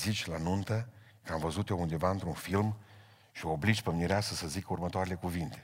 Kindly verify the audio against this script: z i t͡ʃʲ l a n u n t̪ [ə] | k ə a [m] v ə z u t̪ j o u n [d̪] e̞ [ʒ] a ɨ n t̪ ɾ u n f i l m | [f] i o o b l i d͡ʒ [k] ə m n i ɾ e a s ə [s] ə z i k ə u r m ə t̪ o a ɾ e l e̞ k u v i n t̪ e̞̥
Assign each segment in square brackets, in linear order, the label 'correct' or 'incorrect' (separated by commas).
correct, correct, correct, incorrect, incorrect, incorrect, correct